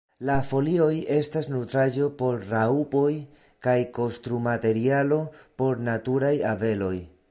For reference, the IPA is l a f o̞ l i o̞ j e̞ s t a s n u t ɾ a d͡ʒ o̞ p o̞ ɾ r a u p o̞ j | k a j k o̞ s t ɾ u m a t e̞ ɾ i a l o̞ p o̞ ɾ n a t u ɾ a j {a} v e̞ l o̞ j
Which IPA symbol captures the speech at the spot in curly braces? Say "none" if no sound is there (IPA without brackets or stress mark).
a